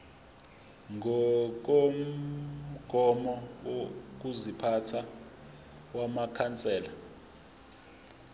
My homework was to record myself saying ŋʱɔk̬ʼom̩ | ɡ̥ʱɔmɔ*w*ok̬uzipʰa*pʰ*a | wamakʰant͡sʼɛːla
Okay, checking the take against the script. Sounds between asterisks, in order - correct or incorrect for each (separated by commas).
correct, incorrect